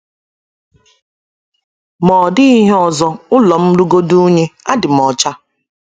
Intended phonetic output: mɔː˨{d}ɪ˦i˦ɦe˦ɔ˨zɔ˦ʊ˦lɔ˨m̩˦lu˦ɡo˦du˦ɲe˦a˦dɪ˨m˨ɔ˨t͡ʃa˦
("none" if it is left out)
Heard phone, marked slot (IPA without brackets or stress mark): d